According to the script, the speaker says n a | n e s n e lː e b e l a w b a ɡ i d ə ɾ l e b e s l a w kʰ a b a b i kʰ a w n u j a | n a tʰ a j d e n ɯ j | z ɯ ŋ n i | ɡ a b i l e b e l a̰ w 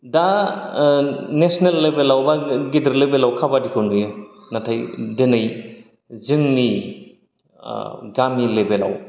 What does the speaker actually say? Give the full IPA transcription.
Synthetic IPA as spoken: d a | n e s n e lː e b e l a w b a ɡ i d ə ɾ l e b e l a w kʰ a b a d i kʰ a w n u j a | n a tʰ a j d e n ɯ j | z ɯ ŋ n i | ɡ a m i l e b e l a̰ w